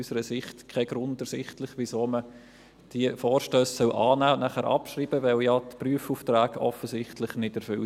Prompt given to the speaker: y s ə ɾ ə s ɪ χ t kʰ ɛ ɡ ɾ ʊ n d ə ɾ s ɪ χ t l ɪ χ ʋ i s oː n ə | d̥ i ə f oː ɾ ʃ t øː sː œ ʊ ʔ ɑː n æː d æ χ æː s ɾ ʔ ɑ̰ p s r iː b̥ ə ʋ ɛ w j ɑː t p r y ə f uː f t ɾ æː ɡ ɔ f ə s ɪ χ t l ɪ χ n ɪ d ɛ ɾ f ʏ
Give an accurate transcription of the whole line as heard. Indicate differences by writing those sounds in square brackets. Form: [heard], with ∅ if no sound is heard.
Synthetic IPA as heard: y s ə ɾ ə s ɪ χ t kʰ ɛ ɡ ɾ ʊ n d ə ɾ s ɪ χ t l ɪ χ ʋ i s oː [m] ə | d̥ i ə f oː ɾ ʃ t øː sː œ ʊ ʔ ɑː n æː [n] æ χ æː [∅] ɾ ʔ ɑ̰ p [ʃ] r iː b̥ ə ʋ ɛ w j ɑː t p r y ə f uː f t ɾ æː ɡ ɔ f ə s ɪ χ t l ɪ χ n ɪ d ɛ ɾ f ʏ